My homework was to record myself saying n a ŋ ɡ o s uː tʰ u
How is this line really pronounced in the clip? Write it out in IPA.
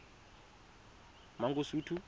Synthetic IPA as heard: m a ŋ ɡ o s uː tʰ u